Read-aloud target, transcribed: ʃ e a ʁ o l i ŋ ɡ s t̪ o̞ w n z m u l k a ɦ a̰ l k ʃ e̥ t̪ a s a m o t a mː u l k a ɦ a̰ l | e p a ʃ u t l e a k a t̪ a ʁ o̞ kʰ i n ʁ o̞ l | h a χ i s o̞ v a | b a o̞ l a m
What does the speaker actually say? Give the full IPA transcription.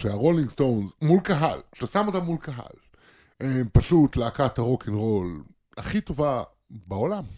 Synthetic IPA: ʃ e a ʁ o l i ŋ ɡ s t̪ o̞ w n z m u l k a ɦ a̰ l k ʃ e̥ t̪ a s a m o t a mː u l k a ɦ a̰ l | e p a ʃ u t l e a k a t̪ a ʁ o̞ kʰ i n ʁ o̞ l | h a χ i t o̞ v a | b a o̞ l a m